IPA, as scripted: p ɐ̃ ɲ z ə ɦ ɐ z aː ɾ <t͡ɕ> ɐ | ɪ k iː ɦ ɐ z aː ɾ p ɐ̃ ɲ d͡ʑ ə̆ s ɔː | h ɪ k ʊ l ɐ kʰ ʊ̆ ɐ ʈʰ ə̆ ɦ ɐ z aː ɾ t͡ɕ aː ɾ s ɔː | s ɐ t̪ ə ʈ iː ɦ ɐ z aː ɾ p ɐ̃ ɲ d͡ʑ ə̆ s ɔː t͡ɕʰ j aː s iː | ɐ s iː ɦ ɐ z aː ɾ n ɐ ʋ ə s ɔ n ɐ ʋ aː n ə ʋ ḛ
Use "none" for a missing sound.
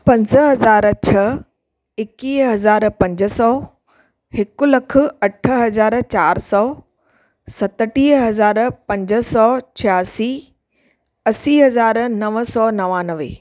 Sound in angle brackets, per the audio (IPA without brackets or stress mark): t͡ɕʰ